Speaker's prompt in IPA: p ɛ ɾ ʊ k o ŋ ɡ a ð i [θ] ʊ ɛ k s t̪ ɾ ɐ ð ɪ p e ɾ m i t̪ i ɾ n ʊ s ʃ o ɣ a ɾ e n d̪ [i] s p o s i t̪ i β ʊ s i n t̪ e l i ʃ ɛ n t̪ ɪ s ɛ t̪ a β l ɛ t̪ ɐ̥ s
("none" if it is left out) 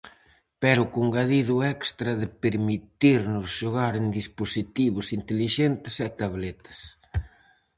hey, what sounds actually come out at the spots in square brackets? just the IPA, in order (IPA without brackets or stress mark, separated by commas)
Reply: ð, i